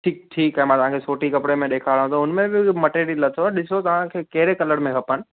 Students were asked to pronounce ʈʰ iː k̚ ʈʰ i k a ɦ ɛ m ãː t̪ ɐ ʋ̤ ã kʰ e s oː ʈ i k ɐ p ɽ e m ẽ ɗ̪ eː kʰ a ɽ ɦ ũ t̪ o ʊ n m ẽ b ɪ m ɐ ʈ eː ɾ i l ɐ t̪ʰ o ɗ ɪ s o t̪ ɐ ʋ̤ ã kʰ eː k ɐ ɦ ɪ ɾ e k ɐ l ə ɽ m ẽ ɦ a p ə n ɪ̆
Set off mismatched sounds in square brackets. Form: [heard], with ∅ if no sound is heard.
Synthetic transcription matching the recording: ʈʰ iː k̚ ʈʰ [iː] k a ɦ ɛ m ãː t̪ ɐ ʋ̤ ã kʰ e s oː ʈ i k ɐ p ɽ e m ẽ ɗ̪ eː kʰ a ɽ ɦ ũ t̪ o ʊ n m ẽ b ɪ m ɐ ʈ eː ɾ i l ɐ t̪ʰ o ɗ ɪ s o t̪ ɐ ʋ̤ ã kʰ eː k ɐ ɦ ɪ ɾ e k ɐ l ə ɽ m ẽ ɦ [ɐ] p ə n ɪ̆